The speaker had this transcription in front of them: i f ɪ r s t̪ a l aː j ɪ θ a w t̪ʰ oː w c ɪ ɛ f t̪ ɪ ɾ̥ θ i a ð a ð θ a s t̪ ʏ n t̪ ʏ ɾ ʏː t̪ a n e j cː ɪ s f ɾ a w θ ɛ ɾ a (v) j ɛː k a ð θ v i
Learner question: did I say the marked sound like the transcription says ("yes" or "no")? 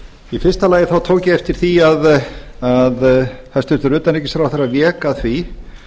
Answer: yes